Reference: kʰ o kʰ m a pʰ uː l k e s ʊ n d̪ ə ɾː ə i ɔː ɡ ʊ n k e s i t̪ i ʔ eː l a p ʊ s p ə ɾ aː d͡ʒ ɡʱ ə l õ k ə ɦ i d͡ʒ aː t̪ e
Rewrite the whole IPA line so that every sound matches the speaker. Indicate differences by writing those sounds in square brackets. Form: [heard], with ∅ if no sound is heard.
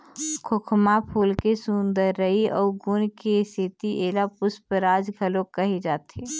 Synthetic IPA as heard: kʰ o kʰ m a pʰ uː l k e s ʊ n d̪ ə ɾː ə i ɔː ɡ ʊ n k e s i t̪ i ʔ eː l a p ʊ s p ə ɾ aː d͡ʒ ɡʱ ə l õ k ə ɦ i d͡ʒ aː t̪ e